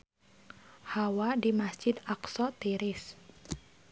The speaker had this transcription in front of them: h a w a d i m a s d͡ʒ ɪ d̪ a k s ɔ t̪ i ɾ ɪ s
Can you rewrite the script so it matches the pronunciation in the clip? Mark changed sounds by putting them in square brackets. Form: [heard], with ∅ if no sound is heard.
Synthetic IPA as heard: h a w a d i m a s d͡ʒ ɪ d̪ a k s ɔ t̪ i ɾ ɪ s